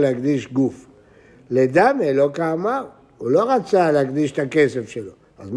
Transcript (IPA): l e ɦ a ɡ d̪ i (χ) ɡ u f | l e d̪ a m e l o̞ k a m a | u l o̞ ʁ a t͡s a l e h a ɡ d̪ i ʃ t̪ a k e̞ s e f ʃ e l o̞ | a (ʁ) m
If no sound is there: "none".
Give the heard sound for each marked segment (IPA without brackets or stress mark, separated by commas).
ʃ, z